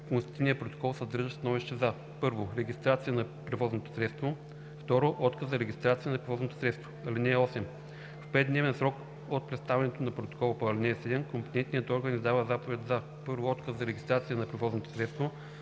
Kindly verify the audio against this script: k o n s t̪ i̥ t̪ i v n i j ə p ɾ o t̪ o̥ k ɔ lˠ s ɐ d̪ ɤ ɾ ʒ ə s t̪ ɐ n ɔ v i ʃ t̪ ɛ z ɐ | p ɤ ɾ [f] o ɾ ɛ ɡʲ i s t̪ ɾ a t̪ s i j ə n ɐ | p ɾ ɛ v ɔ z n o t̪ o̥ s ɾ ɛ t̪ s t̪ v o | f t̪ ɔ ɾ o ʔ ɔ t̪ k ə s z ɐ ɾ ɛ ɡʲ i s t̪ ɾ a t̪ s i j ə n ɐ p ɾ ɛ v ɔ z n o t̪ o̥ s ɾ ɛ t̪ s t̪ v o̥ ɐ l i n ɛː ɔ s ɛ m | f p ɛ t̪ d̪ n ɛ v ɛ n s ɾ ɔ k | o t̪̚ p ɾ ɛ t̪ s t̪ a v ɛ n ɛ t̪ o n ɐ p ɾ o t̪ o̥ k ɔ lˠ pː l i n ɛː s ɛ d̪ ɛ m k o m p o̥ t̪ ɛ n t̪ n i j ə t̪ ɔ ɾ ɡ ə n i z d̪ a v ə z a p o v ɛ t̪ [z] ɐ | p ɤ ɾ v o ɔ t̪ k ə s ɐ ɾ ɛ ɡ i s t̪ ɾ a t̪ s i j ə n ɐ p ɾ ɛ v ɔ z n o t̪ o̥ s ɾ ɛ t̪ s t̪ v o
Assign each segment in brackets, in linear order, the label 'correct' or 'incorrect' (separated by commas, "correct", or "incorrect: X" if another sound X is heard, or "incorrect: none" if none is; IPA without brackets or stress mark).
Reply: incorrect: v, correct